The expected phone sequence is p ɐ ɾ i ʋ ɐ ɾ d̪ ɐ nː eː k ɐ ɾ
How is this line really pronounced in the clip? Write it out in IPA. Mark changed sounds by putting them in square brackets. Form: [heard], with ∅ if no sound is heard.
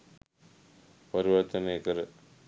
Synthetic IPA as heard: p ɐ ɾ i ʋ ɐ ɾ [t̪] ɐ [n] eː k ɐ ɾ